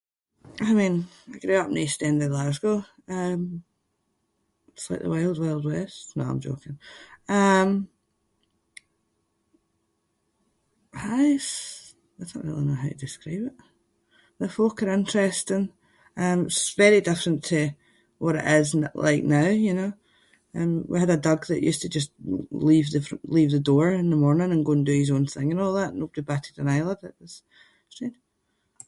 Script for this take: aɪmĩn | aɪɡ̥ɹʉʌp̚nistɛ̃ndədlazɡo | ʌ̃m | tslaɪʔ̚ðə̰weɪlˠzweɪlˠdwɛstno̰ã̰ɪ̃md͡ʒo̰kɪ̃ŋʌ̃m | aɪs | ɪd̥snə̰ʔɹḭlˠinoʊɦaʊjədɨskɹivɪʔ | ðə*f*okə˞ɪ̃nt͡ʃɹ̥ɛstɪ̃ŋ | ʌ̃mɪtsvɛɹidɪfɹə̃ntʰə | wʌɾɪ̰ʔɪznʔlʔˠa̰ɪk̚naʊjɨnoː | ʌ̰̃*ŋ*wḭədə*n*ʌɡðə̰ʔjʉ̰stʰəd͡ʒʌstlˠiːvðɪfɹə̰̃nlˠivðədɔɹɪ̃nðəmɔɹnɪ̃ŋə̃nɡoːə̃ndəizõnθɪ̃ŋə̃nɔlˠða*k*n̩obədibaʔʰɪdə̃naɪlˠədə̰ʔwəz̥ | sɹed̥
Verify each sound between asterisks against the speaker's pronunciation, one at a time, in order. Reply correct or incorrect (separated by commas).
correct, incorrect, incorrect, incorrect